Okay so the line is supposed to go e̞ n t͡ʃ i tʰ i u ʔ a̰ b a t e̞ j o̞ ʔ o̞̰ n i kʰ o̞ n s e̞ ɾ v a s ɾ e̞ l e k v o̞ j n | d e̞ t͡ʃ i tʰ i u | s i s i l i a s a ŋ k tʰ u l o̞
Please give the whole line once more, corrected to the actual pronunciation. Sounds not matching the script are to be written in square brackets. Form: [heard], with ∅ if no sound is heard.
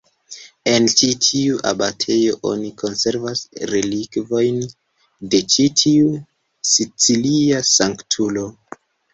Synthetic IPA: e̞ n t͡ʃ i tʰ i u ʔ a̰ b a [tʰ] e̞ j o̞ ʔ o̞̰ n i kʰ o̞ n s e̞ ɾ v a s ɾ e̞ l [i] k v o̞ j n | d e̞ t͡ʃ i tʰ i u | s i [t͡s] i l i a s a ŋ k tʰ u l o̞